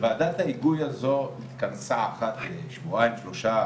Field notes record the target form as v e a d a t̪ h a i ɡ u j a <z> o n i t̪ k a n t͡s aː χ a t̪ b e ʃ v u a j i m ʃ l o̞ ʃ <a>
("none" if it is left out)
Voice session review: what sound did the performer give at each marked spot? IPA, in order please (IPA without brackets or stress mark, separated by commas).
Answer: z, a